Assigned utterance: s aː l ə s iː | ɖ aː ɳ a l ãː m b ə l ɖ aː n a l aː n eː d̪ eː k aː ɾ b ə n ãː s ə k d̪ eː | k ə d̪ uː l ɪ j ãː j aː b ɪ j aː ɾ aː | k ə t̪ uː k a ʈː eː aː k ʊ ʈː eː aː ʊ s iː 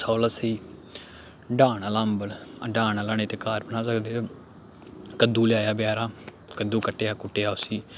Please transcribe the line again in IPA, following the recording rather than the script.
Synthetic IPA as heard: s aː l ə s iː | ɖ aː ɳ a l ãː m b ə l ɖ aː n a l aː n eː t̪ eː k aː ɾ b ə n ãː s ə k d̪ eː | k ə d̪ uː l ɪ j aː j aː b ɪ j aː ɾ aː | k ə d̪ uː k ə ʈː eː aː k ʊ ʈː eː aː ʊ s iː